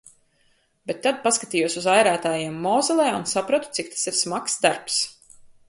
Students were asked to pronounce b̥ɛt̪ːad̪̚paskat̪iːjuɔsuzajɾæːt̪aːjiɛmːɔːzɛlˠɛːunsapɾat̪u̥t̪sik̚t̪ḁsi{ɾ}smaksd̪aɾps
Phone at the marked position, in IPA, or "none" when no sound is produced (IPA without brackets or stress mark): ɾ